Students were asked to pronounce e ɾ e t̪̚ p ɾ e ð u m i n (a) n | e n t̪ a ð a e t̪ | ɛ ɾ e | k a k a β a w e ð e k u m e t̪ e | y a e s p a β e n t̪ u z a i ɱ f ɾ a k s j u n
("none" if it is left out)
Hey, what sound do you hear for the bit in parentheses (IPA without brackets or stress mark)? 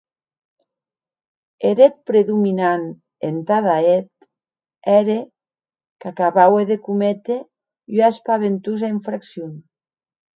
a